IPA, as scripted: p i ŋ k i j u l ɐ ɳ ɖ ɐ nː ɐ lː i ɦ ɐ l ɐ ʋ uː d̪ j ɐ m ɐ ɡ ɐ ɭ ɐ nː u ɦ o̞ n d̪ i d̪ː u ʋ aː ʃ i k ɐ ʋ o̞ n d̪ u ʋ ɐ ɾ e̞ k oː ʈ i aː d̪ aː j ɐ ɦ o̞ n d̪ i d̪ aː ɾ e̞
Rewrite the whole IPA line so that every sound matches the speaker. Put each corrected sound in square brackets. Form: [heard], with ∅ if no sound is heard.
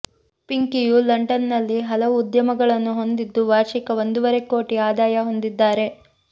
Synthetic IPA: p i ŋ k i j u l ɐ ɳ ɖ ɐ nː ɐ lː i ɦ ɐ l ɐ ʋ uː d̪ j ɐ m ɐ ɡ ɐ ɭ ɐ nː u ɦ o̞ n d̪ i d̪ː u ʋ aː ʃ i k ɐ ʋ o̞ n d̪ u ʋ ɐ ɾ e̞ k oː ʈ i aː d̪ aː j ɐ ɦ o̞ n d̪ i [d̪ː] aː ɾ e̞